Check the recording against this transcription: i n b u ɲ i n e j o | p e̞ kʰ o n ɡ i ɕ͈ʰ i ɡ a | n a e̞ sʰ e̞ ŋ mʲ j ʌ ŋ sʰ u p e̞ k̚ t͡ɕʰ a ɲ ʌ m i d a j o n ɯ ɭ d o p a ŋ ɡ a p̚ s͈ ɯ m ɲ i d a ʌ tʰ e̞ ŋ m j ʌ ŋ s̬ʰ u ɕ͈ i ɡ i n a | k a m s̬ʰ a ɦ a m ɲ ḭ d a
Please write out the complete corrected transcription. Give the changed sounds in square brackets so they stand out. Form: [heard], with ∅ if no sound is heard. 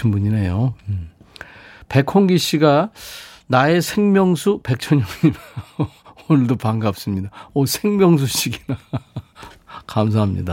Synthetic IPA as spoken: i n b u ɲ i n e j o | p e̞ kʰ o [ŋ] ɡ i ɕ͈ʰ i ɡ a | n a e̞ sʰ e̞ ŋ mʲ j ʌ ŋ sʰ u p e̞ k̚ t͡ɕʰ [ʌ] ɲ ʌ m i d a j o n ɯ ɭ d o p a ŋ ɡ a p̚ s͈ ɯ m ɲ i d a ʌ [sʰ] e̞ ŋ m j ʌ ŋ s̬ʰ u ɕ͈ i ɡ i n a | k a m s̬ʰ a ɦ a m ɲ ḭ d a